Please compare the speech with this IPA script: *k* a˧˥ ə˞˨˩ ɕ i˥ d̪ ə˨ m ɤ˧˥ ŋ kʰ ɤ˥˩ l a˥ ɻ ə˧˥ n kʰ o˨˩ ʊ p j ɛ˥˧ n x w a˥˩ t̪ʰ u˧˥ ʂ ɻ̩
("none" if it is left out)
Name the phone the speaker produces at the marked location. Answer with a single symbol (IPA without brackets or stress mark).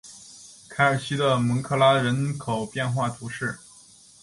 kʰ